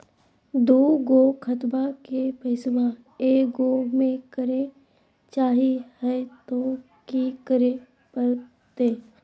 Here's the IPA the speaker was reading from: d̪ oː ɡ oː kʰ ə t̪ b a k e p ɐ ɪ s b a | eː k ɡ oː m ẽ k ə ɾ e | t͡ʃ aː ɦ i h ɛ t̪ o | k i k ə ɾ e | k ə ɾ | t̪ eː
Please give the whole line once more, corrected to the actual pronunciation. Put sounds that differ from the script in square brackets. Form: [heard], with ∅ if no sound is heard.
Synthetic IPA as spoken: d̪ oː ɡ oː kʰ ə t̪ b a k e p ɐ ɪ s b a | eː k ɡ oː m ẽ k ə ɾ e | t͡ʃ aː ɦ i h ɛ t̪ o | k i k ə ɾ e | [p] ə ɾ | t̪ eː